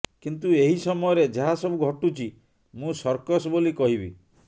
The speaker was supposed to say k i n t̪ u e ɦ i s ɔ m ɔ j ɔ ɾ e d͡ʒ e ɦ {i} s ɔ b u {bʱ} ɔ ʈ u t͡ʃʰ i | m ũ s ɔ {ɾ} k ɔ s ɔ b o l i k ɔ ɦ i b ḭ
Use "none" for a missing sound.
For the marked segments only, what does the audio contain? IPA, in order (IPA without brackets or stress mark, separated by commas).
a, ɡʱ, ɾ